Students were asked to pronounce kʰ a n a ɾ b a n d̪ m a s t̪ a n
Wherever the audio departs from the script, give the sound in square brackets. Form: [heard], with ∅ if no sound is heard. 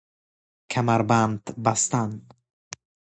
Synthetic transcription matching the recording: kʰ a [m] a ɾ b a n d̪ [b] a s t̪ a n